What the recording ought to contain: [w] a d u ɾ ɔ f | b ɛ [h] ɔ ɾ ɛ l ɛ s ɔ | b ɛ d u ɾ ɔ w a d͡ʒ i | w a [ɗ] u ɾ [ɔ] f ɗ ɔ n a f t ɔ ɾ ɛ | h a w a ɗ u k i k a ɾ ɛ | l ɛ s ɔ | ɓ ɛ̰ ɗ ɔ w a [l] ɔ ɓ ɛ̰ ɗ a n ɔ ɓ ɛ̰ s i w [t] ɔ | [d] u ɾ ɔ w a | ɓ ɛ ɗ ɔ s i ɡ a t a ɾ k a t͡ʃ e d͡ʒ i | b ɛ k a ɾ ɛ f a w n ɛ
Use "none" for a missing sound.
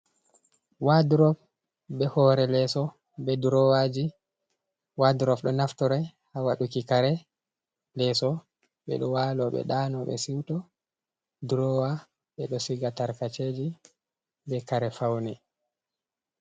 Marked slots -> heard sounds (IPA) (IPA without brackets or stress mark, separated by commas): w, h, d, ɔ, l, t, d